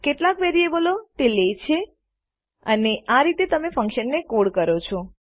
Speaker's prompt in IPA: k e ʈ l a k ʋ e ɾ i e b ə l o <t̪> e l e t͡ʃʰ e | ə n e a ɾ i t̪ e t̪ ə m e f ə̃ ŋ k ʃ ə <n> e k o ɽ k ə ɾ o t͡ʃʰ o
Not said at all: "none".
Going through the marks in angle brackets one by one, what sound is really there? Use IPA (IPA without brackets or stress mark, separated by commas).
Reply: t̪, nː